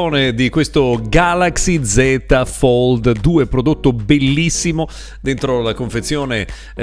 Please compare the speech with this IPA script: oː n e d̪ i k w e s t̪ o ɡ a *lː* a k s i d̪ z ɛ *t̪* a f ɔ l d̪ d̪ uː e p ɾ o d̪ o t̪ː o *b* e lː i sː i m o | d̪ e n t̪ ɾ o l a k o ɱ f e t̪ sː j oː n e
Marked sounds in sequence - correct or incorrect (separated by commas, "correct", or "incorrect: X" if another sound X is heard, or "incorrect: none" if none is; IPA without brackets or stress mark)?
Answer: incorrect: l, correct, correct